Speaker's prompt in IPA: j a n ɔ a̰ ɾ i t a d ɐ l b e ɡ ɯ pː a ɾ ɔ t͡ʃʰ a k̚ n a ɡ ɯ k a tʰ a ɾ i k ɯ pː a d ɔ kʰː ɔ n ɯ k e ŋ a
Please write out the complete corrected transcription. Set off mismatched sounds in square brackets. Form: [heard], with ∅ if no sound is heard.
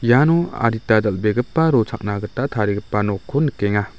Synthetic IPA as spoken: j a n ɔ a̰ ɾ i t a d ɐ l b e ɡ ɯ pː a ɾ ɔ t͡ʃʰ a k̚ n a ɡ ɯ [t] a tʰ a ɾ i [ɡ] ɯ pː a [n] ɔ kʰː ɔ n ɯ k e ŋ a

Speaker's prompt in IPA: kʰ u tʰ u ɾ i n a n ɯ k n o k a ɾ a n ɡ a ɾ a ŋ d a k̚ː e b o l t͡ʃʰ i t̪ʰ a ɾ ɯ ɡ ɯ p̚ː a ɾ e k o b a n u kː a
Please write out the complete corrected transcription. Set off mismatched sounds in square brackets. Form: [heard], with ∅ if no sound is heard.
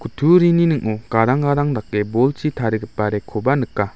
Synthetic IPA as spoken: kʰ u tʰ u ɾ i n [i] n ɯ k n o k a ɾ a [ŋ] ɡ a ɾ a ŋ d a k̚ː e b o l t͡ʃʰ i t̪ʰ a ɾ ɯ ɡ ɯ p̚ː a ɾ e [kʰ] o b a n [ɯ] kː a

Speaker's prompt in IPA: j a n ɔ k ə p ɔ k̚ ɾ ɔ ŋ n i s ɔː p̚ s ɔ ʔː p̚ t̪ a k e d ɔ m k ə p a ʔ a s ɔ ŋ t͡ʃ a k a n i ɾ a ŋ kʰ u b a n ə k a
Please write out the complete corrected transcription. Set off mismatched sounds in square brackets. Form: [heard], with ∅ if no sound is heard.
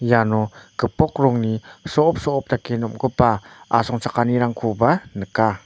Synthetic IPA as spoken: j a n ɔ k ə p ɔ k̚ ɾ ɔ ŋ n i s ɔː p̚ s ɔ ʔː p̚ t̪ a k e [n] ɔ m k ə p a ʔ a s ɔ ŋ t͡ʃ a k a n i ɾ a ŋ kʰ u b a n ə k a

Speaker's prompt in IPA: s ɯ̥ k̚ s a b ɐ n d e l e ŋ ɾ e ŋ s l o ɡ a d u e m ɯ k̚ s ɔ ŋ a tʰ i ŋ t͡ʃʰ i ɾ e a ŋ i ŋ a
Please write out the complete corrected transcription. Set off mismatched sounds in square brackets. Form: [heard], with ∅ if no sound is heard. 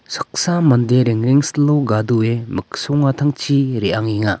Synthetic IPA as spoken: s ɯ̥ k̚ s a [m] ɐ n d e [ɾ] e ŋ ɾ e ŋ s l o ɡ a d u e m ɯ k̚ s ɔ ŋ a tʰ [a] ŋ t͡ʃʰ i ɾ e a ŋ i ŋ a

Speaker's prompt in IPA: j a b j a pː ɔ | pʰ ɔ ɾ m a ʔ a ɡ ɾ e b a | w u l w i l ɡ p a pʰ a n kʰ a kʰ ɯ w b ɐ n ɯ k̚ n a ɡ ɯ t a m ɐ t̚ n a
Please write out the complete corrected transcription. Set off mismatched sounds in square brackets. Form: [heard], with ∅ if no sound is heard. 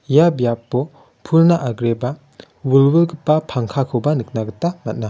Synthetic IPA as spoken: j a b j a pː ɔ | pʰ [u] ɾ [n] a ʔ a ɡ ɾ e b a | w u l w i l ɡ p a pʰ a [ŋ] kʰ a kʰ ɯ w b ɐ n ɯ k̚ n a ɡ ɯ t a m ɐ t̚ n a

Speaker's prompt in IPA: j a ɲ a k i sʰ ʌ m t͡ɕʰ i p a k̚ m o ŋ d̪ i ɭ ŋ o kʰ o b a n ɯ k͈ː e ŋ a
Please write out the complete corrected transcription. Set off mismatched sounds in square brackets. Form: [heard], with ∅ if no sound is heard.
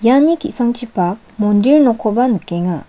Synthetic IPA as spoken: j a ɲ [i] k i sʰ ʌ [ŋ] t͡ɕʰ i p a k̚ m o [n] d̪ i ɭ [n] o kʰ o b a n ɯ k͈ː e ŋ a

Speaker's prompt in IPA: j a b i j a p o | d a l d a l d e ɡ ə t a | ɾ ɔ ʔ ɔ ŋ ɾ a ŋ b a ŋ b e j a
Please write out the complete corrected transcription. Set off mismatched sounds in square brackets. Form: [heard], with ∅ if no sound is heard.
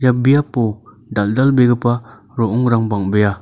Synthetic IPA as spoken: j a b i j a p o | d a l d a l [b] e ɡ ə [p] a | ɾ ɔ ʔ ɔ ŋ ɾ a ŋ b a ŋ b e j a

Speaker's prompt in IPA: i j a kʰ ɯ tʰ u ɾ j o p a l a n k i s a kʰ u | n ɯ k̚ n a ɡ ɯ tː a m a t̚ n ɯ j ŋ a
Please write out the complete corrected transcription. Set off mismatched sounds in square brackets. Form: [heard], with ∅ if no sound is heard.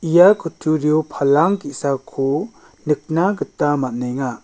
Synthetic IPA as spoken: i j a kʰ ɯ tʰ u ɾ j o [pʰ] a l a [ŋ] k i s a kʰ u | n ɯ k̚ n a ɡ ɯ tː a m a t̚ n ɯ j ŋ a

